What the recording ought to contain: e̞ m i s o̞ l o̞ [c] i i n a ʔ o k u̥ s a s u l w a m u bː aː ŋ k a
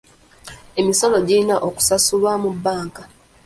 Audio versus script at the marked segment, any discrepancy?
yes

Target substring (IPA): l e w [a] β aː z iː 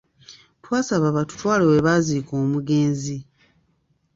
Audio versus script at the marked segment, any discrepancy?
yes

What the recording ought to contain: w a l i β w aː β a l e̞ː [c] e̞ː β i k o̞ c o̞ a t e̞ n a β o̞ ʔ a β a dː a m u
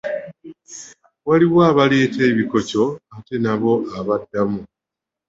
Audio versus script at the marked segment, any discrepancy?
yes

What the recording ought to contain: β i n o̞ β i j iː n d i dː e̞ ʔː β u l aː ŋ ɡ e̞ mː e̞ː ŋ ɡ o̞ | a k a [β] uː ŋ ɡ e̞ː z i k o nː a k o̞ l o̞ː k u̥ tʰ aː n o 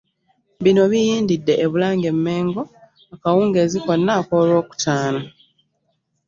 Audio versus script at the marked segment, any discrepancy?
yes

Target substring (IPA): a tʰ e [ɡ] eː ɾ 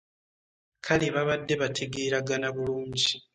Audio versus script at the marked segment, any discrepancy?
no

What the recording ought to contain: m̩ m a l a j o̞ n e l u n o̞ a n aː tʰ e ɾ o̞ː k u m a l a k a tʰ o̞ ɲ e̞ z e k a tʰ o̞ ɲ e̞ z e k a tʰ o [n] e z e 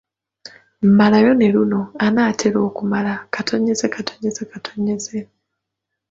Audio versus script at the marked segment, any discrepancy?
yes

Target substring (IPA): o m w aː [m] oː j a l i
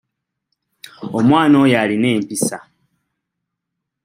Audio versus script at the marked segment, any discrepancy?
yes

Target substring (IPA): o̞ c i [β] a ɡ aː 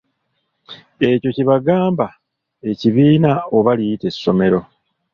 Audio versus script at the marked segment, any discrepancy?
no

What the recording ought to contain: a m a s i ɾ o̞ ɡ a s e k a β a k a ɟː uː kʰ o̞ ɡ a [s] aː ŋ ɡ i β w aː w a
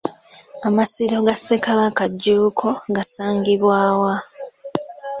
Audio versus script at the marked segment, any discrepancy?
no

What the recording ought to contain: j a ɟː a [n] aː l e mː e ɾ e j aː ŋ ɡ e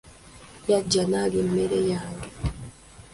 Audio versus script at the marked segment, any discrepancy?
no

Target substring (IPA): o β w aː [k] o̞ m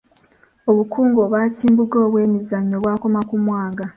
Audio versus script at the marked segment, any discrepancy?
no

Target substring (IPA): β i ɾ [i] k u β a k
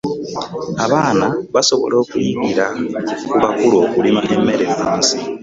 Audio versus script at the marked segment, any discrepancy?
yes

